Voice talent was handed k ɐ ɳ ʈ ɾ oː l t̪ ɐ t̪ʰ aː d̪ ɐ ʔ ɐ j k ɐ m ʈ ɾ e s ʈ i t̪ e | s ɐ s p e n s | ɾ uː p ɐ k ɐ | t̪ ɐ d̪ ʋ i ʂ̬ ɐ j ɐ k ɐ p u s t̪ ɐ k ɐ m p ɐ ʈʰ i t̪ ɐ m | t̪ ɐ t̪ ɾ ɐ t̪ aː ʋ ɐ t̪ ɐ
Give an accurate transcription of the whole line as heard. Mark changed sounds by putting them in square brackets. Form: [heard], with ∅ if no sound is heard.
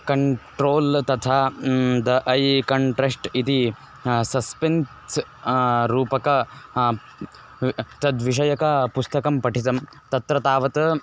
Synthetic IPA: k ɐ ɳ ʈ ɾ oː l t̪ ɐ t̪ʰ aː d̪ ɐ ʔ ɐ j k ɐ [ɳ] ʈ ɾ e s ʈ i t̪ [i] | s ɐ s p e n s | ɾ uː p ɐ k ɐ | t̪ ɐ d̪ ʋ i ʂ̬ ɐ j ɐ k ɐ p u s t̪ ɐ k ɐ m p ɐ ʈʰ i t̪ ɐ m | t̪ ɐ t̪ ɾ ɐ t̪ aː ʋ ɐ t̪ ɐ